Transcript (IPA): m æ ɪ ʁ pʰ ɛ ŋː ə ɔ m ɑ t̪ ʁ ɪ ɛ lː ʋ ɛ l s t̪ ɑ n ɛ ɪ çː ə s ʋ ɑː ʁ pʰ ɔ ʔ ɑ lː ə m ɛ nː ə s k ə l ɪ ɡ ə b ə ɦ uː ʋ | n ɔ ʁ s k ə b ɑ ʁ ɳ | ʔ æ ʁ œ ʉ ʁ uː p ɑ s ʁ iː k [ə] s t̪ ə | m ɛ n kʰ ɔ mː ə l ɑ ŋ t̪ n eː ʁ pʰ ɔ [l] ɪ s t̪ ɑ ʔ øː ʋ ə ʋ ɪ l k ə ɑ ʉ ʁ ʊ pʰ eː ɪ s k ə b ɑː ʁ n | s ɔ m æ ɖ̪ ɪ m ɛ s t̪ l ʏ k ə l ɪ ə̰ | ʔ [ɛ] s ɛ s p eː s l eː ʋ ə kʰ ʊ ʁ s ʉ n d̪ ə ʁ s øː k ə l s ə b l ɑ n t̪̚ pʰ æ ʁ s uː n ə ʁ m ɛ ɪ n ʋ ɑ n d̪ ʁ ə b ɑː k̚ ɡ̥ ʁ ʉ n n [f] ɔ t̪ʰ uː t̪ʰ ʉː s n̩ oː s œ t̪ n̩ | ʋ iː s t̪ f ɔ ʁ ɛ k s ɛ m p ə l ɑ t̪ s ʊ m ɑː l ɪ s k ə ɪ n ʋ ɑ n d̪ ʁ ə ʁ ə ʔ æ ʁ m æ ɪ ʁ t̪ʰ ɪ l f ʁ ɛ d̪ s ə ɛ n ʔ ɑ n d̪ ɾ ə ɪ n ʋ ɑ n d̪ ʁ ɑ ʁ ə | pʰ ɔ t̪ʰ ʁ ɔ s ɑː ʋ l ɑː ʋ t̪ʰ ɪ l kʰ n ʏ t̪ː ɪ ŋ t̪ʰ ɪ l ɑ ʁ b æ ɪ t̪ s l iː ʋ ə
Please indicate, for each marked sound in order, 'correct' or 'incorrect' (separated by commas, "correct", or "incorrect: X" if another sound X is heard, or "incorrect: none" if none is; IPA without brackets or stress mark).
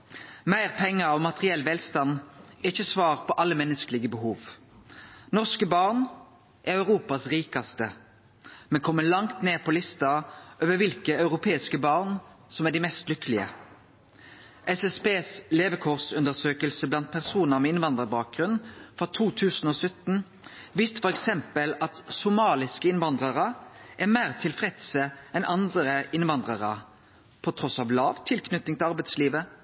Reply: incorrect: ɑ, correct, correct, correct